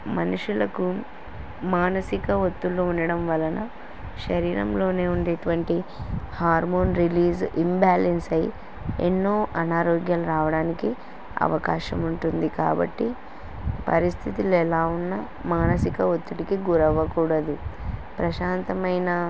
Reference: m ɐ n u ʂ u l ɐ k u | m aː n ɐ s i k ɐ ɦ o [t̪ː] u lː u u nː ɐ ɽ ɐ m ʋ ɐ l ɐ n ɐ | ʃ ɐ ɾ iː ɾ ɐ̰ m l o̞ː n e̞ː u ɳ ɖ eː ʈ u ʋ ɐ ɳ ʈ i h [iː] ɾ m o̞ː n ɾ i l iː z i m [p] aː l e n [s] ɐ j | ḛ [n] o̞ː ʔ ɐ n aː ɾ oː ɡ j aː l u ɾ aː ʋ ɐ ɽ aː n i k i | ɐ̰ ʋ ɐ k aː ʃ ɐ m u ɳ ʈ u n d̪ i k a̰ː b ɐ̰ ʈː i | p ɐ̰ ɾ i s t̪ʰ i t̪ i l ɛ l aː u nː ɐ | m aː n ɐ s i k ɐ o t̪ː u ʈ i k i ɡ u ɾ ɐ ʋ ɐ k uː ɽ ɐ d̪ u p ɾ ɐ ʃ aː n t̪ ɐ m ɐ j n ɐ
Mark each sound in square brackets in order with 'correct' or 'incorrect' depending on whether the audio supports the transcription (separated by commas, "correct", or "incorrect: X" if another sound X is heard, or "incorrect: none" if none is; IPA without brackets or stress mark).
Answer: correct, incorrect: aː, incorrect: b, correct, incorrect: nː